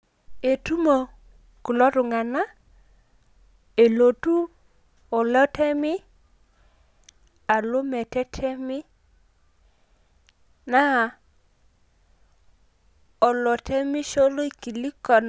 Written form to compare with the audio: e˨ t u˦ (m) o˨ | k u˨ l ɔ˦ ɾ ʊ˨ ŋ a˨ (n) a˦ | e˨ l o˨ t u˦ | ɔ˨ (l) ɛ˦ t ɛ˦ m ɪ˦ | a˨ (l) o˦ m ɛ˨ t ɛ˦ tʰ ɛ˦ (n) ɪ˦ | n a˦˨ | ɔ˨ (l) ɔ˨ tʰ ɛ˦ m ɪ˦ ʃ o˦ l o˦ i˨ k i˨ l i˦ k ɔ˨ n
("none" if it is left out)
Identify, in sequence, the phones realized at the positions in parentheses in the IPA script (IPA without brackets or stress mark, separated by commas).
m, n, l, l, m, l